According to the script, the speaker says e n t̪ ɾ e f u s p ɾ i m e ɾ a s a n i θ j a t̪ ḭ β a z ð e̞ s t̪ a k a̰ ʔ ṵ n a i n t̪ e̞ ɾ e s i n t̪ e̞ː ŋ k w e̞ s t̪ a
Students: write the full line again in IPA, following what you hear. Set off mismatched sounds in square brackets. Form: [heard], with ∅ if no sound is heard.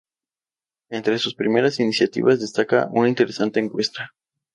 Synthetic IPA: e n t̪ ɾ e [s] u s p ɾ i m e ɾ a s [i] n i [s] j a t̪ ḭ β a z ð e̞ s t̪ a k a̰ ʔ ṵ n a i n t̪ e̞ ɾ e s [a] n t̪ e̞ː ŋ k w e̞ s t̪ a